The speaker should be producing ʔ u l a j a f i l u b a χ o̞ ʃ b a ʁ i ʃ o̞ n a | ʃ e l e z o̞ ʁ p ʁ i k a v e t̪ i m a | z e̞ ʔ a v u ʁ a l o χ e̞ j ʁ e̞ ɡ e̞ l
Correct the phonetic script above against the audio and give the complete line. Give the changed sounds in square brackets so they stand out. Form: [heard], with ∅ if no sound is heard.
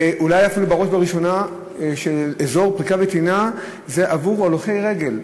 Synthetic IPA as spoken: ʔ u l a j a f i l u b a [ʁ] o̞ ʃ b a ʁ i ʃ o̞ n a | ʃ e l e z o̞ ʁ p ʁ i k a v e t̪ i [n] a | z e̞ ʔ a v u ʁ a l o χ e̞ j ʁ e̞ ɡ e̞ l